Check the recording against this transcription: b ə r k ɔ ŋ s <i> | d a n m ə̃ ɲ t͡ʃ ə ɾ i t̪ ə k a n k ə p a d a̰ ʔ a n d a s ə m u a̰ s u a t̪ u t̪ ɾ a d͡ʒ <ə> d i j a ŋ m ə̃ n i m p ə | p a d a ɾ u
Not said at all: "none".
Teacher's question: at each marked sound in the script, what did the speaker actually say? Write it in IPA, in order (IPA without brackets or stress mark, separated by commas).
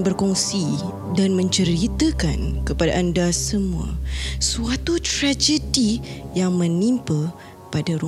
i, ə